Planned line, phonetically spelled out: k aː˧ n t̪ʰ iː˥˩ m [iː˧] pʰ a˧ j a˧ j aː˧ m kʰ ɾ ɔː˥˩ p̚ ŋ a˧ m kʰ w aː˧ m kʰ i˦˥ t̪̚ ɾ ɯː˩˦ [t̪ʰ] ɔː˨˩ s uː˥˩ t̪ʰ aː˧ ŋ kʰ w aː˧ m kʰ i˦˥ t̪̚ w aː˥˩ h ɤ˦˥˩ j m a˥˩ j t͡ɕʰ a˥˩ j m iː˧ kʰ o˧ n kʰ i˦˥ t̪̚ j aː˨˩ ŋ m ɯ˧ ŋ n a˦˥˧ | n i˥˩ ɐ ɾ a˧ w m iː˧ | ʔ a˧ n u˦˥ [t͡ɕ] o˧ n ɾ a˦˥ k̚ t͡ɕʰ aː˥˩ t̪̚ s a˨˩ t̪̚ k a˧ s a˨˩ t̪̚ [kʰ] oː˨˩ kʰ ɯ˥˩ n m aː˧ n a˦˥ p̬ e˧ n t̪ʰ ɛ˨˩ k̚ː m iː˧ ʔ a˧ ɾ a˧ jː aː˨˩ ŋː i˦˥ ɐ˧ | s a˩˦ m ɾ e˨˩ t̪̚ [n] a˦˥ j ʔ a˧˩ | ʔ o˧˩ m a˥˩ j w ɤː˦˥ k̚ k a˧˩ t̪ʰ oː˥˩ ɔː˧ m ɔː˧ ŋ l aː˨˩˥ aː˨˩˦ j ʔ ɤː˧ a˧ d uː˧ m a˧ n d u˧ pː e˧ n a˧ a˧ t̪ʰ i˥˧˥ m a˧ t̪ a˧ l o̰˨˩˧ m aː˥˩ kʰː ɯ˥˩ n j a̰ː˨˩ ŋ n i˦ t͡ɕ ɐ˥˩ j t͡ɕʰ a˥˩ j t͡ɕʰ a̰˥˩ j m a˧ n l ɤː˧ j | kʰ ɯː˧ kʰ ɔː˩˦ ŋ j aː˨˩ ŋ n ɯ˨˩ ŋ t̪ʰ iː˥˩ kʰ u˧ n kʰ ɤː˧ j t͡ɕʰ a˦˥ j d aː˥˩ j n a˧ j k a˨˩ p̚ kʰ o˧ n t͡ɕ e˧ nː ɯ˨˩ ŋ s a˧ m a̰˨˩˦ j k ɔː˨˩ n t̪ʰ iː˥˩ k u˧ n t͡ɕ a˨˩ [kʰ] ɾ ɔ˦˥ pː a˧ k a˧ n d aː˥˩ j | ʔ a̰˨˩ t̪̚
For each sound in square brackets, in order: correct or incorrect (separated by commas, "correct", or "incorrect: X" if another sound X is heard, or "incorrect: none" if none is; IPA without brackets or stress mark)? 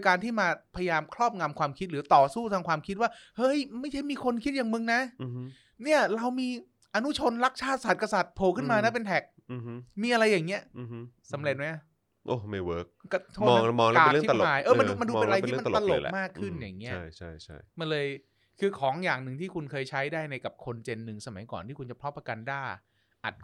incorrect: aː˧, incorrect: t̪, incorrect: t͡ɕʰ, incorrect: pʰ, incorrect: m, incorrect: pʰ